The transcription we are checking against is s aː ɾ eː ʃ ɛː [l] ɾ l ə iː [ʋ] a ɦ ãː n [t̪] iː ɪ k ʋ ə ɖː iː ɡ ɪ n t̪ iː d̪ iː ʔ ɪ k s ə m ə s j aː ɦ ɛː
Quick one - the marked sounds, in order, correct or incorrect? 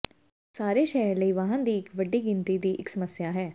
incorrect: none, correct, incorrect: d̪

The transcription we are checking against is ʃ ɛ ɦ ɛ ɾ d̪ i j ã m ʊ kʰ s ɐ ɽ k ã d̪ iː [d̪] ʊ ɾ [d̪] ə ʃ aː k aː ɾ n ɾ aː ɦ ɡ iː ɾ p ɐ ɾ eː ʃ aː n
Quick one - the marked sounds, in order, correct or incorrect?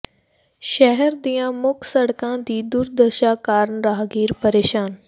correct, correct

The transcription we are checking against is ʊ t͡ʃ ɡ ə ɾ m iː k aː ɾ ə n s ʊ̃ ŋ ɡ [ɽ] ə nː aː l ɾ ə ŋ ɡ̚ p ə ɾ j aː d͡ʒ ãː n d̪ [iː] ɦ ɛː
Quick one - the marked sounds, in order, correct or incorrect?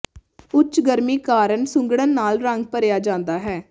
correct, incorrect: aː

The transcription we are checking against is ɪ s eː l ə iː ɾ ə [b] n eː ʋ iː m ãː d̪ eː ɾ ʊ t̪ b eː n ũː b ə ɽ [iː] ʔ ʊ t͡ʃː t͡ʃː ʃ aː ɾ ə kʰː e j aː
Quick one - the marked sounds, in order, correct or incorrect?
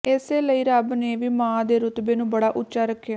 correct, incorrect: aː

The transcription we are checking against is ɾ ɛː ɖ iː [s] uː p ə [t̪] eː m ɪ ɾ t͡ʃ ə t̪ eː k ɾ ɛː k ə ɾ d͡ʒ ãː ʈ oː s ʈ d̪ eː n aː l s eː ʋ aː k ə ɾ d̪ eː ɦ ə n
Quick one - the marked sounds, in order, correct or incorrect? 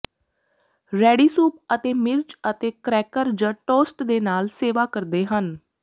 correct, correct

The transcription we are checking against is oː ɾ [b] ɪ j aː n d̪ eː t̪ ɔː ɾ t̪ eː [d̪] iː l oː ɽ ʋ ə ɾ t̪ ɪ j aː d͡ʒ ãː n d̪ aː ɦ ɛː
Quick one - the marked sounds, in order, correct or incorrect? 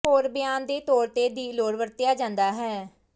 correct, correct

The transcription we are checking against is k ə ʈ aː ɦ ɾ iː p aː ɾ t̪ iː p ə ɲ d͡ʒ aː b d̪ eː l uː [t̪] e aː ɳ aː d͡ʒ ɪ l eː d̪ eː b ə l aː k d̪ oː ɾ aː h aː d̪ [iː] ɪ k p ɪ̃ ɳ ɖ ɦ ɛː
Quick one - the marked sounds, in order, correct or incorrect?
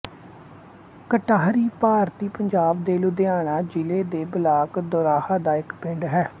incorrect: d̪, incorrect: aː

